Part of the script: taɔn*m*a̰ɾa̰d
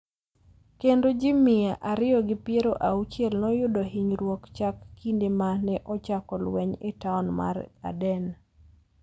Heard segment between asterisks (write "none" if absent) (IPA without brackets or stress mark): m